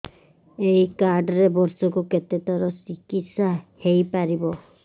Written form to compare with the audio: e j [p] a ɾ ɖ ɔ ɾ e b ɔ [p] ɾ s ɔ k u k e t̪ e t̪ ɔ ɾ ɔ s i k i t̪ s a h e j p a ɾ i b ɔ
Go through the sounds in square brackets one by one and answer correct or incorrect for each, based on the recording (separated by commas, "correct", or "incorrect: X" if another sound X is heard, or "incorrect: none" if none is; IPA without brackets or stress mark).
incorrect: k, incorrect: none